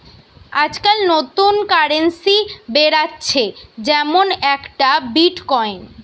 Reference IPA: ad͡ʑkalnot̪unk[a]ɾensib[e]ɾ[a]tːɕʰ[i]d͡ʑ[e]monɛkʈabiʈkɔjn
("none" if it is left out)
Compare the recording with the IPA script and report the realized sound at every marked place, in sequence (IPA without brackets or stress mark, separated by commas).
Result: a, e, a, e, ɛ